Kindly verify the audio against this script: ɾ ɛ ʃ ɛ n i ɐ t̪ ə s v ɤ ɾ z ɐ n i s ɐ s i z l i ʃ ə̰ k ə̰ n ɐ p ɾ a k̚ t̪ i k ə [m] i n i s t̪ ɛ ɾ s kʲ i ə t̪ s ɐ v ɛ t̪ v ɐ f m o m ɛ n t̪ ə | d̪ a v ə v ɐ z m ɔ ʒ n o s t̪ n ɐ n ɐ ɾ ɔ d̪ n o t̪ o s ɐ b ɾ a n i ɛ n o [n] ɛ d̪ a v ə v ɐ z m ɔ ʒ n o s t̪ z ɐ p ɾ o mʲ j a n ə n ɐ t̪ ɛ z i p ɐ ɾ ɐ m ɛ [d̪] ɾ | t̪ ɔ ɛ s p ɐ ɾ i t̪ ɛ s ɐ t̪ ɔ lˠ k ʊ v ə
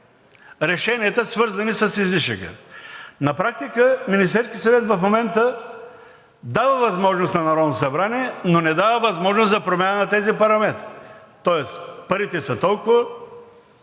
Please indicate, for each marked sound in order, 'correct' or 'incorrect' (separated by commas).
correct, correct, incorrect